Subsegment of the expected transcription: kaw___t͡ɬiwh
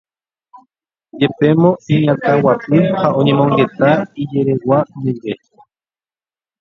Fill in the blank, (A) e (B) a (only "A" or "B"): B